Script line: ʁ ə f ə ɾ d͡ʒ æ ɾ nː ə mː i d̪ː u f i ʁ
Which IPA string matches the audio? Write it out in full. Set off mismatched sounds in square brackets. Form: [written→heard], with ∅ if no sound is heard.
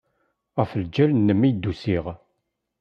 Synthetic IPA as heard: ʁ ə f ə [ɾ→l] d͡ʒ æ [ɾ→l] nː ə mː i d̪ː u [f→s] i ʁ